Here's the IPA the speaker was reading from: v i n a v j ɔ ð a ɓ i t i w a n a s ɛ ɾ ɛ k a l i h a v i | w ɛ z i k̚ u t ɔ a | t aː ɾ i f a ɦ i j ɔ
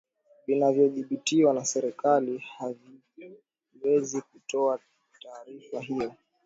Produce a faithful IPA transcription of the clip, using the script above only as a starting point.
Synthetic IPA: v i n a v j ɔ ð i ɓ i t i w a n a s ɛ ɾ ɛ k a l i h a v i | w ɛ z i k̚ u t ɔ a | t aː ɾ i f a ɦ i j ɔ